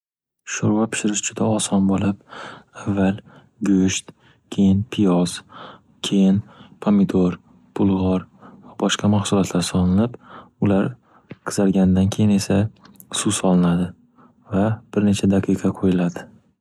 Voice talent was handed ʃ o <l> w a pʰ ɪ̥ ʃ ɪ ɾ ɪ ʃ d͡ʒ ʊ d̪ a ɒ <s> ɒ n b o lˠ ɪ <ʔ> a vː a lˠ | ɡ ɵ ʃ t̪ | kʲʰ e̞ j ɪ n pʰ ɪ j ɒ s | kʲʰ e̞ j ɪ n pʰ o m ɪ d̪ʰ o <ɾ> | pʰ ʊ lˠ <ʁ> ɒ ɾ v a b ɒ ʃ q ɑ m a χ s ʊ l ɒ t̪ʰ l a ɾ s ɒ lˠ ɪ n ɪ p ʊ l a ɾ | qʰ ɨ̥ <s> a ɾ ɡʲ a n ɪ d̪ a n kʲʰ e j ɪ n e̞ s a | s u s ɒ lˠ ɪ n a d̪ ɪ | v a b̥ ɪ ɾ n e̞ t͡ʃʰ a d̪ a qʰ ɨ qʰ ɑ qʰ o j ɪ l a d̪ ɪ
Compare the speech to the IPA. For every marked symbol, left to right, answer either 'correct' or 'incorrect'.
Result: incorrect, correct, incorrect, correct, correct, incorrect

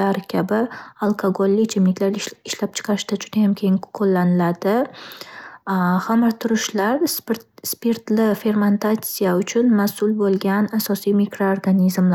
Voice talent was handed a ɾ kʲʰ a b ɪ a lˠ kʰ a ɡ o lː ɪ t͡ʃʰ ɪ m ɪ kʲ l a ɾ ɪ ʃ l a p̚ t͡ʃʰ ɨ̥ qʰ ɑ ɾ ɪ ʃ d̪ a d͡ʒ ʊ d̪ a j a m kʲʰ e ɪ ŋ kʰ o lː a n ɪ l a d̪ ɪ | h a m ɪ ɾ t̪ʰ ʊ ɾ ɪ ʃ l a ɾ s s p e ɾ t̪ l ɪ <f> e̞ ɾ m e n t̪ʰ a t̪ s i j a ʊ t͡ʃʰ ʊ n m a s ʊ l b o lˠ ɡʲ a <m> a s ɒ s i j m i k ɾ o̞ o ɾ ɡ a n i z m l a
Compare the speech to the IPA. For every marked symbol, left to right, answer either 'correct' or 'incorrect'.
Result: correct, incorrect

